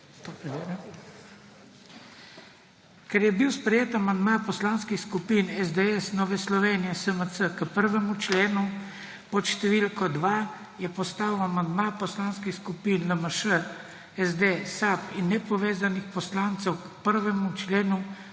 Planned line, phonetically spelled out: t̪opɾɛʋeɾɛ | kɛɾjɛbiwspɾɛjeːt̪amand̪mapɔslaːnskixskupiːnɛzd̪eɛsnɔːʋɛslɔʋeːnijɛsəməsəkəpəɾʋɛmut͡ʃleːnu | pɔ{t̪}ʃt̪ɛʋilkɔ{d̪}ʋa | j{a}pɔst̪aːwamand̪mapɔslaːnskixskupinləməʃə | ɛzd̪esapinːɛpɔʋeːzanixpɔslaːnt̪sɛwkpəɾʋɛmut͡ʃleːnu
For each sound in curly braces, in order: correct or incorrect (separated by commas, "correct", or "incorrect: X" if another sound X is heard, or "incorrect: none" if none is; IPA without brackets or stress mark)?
correct, correct, incorrect: ɛ